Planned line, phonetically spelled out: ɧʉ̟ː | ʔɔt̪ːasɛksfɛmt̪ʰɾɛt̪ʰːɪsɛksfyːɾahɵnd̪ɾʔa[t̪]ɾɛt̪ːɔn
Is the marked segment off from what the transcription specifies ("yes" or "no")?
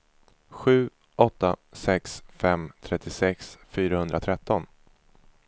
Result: yes